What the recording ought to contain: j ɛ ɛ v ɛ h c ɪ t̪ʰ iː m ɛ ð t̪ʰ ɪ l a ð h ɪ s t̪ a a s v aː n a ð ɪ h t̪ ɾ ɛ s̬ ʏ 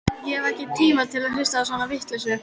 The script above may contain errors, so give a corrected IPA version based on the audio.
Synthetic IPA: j ɛ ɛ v ɛ h c ɪ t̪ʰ iː m a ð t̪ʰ ɪ l a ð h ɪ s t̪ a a s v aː n a v ɪ h t̪ l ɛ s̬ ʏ